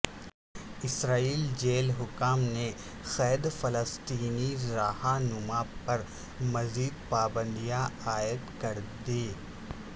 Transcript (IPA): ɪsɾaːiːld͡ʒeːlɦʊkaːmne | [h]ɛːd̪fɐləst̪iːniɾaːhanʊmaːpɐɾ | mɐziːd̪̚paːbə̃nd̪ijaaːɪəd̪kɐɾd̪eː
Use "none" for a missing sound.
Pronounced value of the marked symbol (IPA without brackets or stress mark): x